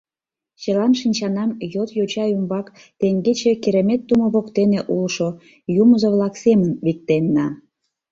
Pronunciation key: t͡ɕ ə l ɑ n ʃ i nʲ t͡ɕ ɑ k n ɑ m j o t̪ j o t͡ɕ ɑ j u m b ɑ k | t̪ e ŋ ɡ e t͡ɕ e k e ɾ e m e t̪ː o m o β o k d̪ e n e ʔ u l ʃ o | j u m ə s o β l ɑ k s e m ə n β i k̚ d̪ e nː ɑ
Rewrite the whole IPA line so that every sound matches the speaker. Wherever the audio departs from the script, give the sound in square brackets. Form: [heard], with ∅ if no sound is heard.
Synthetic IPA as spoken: t͡ɕ ə l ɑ n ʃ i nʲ t͡ɕ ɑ [∅] n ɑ m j o t̪ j o t͡ɕ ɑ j u m b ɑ k | t̪ e ŋ ɡ e t͡ɕ e k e ɾ e m e t̪ː [u] m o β o k [t̪] e n e ʔ u l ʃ o | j u m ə [z] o β l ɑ k s e m ə n β i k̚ [t̪] e nː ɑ